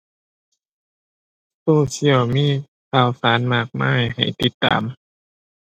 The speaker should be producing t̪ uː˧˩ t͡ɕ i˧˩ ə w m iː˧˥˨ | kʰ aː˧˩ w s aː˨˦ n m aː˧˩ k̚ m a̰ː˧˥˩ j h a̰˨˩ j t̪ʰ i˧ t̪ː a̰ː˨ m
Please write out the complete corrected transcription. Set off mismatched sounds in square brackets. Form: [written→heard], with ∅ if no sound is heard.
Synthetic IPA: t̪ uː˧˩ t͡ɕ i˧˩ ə w m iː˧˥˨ | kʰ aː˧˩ w s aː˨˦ n m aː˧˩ k̚ m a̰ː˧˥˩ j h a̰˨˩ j [t̪ʰ→t̪] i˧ t̪ː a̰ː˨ m